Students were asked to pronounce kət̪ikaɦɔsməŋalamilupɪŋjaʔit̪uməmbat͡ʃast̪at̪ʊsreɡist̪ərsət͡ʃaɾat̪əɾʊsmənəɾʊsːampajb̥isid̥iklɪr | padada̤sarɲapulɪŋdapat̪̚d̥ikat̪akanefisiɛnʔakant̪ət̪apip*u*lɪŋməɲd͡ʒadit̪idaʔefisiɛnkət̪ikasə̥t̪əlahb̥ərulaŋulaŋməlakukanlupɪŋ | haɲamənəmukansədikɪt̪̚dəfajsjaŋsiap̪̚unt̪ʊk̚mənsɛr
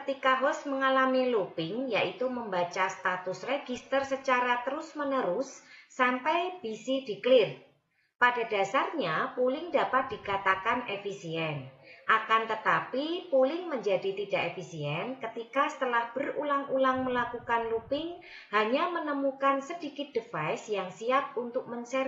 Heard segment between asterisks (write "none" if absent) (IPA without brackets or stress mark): u